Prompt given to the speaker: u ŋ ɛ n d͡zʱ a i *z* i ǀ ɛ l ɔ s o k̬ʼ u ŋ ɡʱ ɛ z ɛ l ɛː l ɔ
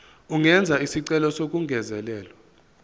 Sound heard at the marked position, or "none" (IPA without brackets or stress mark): s